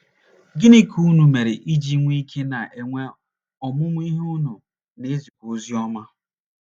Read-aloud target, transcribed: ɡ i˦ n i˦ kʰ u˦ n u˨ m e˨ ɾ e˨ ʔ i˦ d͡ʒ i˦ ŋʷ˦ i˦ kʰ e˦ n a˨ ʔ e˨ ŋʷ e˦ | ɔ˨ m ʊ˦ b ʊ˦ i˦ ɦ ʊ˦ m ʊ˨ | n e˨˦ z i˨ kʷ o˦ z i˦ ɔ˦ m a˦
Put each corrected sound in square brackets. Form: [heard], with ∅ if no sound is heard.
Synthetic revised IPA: ɡ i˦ n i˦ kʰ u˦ n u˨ m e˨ ɾ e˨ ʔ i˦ d͡ʒ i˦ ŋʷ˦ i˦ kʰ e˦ n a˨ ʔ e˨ ŋʷ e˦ | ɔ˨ m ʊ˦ [m] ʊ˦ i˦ ɦ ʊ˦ [n] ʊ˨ | n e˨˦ z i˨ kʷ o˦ z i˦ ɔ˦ m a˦